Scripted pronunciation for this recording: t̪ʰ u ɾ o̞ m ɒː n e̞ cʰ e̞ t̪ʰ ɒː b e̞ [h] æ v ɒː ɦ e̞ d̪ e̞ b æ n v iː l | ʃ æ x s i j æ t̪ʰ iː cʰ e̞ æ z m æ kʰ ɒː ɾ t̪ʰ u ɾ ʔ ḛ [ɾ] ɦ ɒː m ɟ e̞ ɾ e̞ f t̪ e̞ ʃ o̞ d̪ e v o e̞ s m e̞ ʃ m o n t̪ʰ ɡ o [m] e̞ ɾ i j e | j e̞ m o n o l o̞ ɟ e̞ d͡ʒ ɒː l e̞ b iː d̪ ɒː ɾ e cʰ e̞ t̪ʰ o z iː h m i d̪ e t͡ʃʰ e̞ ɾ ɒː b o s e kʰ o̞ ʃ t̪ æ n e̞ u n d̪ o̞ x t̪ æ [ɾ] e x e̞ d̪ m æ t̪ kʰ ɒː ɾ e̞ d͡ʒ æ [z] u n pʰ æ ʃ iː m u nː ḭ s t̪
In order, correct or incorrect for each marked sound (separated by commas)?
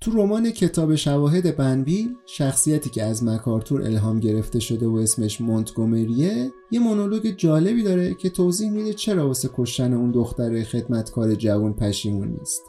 incorrect, incorrect, correct, correct, incorrect